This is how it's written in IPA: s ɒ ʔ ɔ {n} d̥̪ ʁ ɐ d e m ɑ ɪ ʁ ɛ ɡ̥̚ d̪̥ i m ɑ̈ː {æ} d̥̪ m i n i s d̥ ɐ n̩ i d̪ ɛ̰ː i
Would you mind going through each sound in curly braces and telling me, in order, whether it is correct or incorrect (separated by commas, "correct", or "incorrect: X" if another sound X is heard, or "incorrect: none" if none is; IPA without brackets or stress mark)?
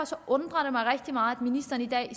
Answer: correct, correct